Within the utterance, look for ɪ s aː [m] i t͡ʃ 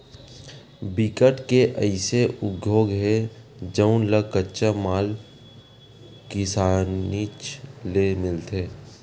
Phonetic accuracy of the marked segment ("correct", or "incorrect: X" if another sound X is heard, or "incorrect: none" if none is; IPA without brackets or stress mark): incorrect: n